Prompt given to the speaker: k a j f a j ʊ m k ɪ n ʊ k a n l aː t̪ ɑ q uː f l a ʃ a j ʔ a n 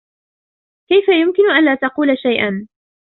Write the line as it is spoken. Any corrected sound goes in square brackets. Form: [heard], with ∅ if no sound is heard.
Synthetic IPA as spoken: k a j f a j ʊ m k ɪ n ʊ [ʔ] a n l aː t̪ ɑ q uː [∅] l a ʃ a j ʔ a n